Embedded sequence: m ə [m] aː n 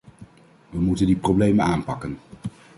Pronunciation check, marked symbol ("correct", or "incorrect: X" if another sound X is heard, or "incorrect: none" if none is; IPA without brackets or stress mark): incorrect: n